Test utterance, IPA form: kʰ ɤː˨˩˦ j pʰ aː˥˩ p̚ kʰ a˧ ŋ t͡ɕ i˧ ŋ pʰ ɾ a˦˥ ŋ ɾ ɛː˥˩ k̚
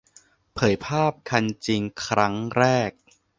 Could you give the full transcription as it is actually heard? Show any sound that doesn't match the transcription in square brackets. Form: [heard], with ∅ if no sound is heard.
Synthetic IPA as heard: [pʰ] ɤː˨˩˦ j pʰ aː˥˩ p̚ kʰ a˧ [n] t͡ɕ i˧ ŋ [kʰ] ɾ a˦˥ ŋ ɾ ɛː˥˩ k̚